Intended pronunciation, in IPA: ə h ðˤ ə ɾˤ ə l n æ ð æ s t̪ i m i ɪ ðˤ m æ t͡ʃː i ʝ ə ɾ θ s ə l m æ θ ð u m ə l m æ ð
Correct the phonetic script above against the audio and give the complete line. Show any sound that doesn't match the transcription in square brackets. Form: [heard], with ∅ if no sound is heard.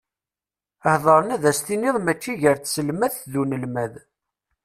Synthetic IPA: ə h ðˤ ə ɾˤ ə [∅] n æ ð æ s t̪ i [n] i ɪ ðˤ m æ t͡ʃː i ʝ ə ɾ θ s ə l m æ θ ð u [n] ə l m æ ð